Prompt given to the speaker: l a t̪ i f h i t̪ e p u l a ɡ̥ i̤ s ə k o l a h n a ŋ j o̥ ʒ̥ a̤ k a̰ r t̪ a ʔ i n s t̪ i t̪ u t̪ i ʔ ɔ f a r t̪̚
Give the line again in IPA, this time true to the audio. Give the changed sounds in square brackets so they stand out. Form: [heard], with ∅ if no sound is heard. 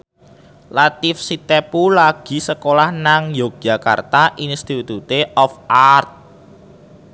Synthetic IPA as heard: l a t̪ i f [s] i t̪ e p u l a ɡ̥ i̤ s ə k o l a h n a ŋ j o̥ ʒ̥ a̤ k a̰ r t̪ a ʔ i n s t̪ i t̪ u t̪ [e] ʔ ɔ f a r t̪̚